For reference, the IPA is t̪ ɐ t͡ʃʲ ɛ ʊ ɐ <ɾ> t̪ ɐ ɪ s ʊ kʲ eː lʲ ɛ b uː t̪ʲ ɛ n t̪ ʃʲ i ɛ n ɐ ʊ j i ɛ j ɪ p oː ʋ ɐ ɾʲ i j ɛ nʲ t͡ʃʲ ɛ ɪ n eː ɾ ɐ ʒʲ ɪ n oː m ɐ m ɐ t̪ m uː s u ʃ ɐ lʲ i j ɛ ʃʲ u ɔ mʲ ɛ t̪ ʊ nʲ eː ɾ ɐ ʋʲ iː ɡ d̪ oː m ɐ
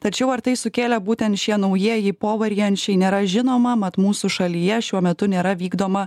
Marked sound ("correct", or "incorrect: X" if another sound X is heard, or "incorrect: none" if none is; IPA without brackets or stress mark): correct